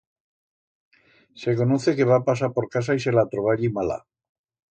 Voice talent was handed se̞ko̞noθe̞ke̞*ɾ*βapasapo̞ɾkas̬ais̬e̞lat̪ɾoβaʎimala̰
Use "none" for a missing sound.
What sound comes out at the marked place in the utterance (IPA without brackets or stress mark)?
none